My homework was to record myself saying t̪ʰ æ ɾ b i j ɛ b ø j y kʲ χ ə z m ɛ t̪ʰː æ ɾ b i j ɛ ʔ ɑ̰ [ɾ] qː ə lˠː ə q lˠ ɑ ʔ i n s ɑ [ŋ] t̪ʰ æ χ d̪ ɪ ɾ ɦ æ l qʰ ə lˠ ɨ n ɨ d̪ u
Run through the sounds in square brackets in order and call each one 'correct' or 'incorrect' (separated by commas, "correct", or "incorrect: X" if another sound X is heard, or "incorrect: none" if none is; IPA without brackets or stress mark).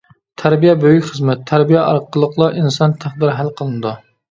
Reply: correct, incorrect: n